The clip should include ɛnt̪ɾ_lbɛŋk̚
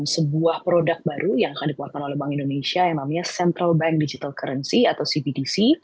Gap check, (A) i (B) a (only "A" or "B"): B